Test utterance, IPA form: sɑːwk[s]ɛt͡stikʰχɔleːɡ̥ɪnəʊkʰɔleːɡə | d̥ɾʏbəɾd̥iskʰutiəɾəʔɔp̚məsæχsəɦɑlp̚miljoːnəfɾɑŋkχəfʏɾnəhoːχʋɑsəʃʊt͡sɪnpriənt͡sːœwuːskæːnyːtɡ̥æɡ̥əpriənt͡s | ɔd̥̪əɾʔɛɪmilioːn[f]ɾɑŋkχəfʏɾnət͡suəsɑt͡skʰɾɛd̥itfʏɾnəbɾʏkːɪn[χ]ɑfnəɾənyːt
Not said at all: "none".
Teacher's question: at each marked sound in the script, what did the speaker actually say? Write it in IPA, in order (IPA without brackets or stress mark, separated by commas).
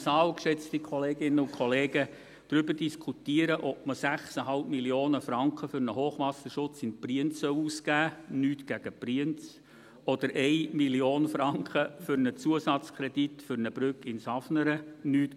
ʃ, f, s